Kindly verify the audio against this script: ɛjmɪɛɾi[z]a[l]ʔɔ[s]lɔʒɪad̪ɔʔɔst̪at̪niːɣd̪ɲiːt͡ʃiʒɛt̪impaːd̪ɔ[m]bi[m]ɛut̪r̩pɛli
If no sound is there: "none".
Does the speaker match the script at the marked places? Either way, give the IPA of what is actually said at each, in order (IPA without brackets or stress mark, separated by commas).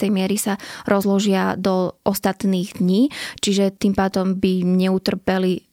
s, ɾ, z, m, ɲ